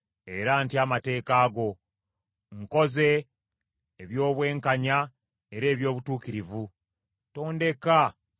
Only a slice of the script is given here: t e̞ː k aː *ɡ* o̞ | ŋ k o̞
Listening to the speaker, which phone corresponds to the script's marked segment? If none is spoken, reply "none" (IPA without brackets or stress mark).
ɡ